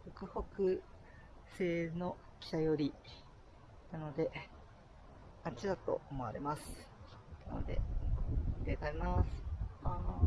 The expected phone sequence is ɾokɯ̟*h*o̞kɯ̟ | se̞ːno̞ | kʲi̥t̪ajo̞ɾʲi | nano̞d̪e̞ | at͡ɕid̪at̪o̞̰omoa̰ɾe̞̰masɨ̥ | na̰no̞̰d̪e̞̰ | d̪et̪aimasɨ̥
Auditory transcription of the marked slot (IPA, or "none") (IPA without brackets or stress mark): h